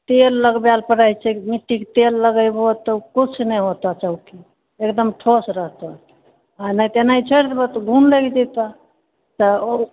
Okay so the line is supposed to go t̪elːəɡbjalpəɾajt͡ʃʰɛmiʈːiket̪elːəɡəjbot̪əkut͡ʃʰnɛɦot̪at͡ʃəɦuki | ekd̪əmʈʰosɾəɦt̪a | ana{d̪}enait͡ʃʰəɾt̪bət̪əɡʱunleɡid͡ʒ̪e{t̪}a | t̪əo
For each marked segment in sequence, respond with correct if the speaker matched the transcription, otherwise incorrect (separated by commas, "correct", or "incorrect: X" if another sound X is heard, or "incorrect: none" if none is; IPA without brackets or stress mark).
incorrect: t̪, correct